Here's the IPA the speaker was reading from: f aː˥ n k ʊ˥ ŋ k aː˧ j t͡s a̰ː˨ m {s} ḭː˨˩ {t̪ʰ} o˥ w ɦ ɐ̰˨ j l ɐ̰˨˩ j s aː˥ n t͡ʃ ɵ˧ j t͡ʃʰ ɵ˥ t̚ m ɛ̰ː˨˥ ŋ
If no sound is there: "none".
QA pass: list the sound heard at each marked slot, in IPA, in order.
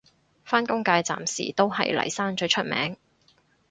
s, t̪

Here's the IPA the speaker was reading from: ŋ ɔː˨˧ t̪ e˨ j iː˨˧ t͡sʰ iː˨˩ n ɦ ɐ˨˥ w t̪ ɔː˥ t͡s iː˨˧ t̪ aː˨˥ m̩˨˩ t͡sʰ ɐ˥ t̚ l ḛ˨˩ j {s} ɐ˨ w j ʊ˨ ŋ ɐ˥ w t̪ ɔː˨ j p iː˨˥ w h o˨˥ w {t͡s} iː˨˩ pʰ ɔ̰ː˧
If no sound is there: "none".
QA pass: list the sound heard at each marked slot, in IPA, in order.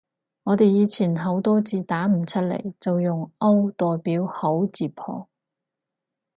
t͡s, t͡s

